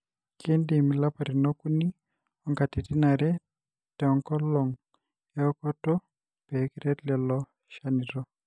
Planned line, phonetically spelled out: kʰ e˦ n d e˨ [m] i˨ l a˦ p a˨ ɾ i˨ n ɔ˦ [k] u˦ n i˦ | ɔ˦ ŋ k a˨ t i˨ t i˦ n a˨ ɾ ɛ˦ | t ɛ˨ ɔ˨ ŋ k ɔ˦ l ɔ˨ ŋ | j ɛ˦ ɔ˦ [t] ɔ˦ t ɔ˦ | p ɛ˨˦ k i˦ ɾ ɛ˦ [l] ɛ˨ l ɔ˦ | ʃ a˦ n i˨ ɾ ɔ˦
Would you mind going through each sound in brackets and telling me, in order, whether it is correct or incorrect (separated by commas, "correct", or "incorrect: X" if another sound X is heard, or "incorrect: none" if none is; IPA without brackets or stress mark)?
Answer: correct, correct, incorrect: k, correct